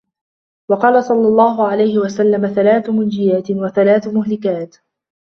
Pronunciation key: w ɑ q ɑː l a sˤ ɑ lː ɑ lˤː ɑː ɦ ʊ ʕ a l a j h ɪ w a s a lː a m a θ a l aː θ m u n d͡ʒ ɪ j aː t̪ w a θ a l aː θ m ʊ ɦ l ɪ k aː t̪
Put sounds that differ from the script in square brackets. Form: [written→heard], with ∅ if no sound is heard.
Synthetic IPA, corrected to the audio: w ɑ q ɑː l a sˤ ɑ lː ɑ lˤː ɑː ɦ ʊ ʕ a l a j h ɪ w a s a lː a m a θ a l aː θ m [u→ʊ] n d͡ʒ ɪ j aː t̪ w a θ a l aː θ m ʊ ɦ l ɪ k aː t̪